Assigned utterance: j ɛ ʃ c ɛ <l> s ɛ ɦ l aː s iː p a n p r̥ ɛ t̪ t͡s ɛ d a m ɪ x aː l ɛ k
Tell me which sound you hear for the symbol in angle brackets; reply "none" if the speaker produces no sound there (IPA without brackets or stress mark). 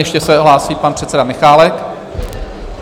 none